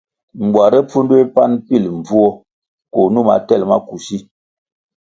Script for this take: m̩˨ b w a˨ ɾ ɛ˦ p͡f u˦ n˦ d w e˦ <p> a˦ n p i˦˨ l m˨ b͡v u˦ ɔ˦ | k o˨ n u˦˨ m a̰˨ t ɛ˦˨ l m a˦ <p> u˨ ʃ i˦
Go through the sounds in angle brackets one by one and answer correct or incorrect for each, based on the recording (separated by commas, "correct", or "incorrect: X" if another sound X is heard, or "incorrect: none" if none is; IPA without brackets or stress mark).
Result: correct, incorrect: k